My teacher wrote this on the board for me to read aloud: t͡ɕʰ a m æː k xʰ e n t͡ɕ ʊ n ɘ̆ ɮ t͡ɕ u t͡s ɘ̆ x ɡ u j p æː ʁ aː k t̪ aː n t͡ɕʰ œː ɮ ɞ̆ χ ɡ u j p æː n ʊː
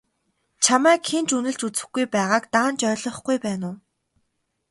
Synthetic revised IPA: t͡ɕʰ a m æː k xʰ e n t͡ɕ u n ɘ̆ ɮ t͡ɕ u t͡s ɘ̆ x ɡ u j p æː ʁ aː k t̪ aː n t͡ɕ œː ɮ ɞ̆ χ ɡ u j p æː n ʊː